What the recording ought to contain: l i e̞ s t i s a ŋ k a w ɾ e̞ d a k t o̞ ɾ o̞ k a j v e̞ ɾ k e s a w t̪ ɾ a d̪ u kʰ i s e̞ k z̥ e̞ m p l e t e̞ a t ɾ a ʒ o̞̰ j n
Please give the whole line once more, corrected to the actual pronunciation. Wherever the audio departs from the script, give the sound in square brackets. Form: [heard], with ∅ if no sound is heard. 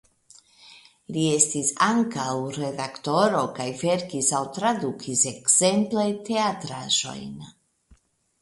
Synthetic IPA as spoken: l i e̞ s t i s a ŋ k a w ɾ e̞ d a k t o̞ ɾ o̞ k a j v e̞ ɾ k [i] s a w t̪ ɾ a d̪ u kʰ i s e̞ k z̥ e̞ m p l e t e̞ a t ɾ a ʒ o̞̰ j n